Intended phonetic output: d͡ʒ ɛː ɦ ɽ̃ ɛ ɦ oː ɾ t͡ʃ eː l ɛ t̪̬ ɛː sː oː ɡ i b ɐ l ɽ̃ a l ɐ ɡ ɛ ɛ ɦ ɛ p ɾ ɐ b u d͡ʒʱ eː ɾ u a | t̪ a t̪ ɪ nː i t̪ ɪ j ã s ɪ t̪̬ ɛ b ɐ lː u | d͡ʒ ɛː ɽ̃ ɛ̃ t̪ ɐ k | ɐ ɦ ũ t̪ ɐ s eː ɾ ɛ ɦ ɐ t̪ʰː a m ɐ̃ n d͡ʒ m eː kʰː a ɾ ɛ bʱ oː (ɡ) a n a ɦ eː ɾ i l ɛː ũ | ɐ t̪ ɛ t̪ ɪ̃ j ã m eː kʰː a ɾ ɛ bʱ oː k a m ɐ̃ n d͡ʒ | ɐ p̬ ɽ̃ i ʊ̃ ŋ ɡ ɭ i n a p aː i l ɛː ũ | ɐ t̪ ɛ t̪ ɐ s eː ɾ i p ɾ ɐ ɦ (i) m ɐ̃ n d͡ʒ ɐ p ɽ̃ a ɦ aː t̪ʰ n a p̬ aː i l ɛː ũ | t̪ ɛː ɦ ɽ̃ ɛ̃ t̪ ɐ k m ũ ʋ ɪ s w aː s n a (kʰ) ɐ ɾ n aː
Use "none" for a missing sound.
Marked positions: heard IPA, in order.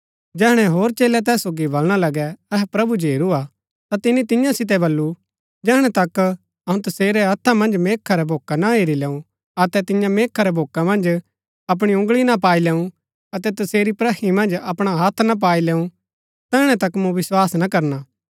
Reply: k, i, k

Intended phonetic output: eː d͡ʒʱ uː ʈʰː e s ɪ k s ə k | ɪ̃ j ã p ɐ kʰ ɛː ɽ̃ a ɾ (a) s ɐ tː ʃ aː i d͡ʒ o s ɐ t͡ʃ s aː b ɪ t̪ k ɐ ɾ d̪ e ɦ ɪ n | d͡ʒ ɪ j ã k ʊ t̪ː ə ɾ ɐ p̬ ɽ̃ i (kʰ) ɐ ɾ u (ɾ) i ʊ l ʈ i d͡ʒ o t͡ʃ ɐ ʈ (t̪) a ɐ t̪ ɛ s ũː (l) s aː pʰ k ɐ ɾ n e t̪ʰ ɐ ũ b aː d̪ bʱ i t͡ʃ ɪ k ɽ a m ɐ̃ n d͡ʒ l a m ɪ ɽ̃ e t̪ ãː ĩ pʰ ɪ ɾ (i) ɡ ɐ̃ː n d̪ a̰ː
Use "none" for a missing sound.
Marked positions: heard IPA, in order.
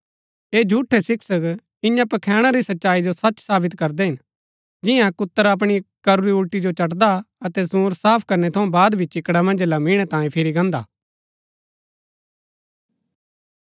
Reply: i, k, ɾ, d̪, ɾ, i

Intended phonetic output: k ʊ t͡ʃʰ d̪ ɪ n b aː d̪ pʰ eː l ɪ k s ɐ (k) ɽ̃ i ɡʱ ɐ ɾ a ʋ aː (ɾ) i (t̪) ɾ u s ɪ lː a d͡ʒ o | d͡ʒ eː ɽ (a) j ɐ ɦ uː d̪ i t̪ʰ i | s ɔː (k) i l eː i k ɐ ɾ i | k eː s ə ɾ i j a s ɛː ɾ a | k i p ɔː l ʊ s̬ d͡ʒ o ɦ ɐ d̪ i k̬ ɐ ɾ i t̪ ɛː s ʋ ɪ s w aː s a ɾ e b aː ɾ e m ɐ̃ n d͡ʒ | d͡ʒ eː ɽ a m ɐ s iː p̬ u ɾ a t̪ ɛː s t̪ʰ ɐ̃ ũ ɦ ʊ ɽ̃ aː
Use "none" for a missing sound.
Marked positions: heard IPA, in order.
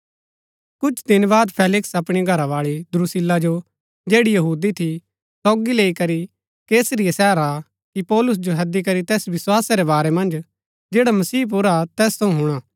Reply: p, ɭ, d̪, i, ɡ

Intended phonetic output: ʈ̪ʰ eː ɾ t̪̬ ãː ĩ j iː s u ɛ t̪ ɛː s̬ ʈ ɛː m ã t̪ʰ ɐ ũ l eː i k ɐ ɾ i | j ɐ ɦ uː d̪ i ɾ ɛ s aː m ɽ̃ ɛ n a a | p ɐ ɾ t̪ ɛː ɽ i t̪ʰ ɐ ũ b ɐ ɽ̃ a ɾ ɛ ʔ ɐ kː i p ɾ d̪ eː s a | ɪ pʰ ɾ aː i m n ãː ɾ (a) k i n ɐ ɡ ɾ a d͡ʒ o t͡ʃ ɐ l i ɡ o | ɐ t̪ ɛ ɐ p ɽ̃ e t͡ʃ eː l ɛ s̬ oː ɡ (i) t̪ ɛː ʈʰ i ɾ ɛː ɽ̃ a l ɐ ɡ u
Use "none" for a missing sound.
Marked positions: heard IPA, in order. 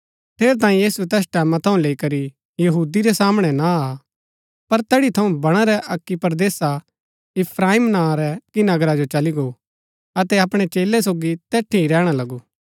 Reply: ɛ, i

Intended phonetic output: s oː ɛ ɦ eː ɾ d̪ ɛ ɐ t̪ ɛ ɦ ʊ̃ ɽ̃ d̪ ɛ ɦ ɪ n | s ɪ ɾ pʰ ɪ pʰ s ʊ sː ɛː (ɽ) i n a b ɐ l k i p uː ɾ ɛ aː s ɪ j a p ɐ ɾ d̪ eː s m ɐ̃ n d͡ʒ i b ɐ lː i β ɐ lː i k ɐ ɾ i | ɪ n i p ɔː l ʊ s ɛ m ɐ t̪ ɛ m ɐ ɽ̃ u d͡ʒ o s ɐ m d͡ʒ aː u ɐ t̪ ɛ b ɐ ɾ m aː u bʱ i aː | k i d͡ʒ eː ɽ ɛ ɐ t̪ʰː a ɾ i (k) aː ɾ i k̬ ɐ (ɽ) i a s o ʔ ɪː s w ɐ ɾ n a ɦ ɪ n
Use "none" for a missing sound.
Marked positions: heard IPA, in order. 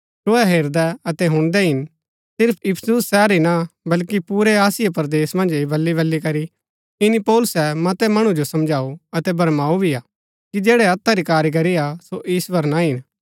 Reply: ɾ, k, ɾ

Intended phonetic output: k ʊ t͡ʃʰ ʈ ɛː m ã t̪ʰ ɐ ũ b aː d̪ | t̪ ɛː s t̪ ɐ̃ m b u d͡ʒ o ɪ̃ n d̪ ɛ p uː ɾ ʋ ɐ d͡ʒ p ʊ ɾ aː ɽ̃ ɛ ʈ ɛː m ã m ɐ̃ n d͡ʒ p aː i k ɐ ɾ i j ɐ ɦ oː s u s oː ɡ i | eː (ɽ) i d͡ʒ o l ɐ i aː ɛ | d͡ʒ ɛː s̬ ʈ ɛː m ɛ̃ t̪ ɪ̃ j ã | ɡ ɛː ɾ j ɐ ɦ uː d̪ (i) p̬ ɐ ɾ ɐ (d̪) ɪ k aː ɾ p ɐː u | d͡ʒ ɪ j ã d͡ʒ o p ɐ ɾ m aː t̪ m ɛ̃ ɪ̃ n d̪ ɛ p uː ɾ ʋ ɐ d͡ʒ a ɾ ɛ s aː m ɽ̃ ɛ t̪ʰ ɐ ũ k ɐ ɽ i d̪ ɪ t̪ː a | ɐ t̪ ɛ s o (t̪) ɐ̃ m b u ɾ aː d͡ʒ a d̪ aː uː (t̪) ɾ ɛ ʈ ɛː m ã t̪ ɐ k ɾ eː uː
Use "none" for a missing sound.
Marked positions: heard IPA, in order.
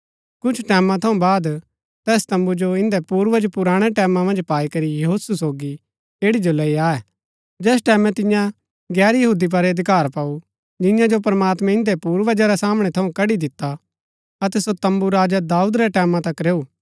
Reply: ɽ, i, d̪, t̪, d̪

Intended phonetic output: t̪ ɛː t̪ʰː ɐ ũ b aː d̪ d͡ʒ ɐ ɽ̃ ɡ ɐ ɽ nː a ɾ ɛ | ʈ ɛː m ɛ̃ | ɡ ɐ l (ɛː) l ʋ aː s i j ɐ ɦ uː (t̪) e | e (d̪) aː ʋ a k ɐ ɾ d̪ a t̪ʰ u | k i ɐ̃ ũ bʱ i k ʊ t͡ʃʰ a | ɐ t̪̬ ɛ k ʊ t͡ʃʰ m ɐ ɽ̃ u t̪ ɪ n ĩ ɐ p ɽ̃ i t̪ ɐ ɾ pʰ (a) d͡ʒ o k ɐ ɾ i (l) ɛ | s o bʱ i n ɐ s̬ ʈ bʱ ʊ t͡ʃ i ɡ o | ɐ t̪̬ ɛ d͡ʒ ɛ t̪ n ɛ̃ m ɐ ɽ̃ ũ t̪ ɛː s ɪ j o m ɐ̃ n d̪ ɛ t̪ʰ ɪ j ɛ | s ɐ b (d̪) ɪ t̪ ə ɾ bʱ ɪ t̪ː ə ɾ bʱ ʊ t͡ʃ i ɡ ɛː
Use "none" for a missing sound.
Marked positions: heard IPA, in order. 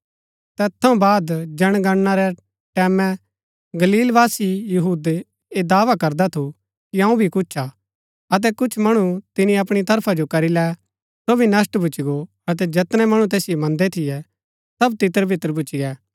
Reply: iː, d̪, d̪, a, l, t̪

